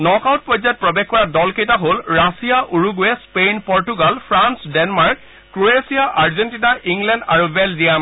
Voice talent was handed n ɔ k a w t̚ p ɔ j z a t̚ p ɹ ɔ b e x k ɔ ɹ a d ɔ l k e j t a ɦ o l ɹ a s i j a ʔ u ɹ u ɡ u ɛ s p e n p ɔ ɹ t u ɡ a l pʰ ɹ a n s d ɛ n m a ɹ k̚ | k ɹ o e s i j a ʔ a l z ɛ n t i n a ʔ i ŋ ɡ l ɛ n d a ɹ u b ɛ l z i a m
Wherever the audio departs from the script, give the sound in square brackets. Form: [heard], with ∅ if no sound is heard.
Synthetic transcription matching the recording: n ɔ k a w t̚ p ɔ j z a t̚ p ɹ ɔ b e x k ɔ ɹ a d ɔ l k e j t a ɦ o l ɹ a s i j a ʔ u ɹ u ɡ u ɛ s p e n p ɔ ɹ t u ɡ a l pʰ ɹ a n s d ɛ n m a ɹ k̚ | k ɹ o e s i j a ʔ a [ɹ] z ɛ n t i n a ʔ i ŋ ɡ l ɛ n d a ɹ u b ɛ l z i a m